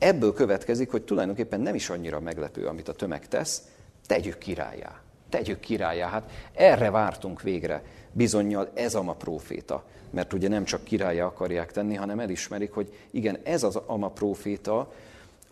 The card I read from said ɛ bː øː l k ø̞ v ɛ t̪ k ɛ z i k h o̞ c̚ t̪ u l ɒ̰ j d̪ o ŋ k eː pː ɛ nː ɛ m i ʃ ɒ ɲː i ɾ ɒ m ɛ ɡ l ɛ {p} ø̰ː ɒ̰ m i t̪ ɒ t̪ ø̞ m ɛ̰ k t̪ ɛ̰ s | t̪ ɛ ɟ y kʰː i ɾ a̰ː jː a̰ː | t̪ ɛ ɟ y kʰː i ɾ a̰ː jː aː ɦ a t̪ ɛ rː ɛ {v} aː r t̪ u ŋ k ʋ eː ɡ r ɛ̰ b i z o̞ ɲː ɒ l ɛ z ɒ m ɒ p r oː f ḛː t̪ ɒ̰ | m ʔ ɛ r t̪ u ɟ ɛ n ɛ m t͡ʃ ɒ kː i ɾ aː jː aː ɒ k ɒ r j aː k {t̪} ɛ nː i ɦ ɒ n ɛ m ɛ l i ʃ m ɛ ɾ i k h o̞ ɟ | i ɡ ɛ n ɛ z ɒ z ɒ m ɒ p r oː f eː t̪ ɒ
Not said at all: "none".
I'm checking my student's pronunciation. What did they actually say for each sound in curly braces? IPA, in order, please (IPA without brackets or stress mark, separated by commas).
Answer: p, v, t̪